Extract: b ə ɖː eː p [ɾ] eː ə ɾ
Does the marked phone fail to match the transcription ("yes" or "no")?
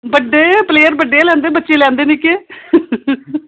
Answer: yes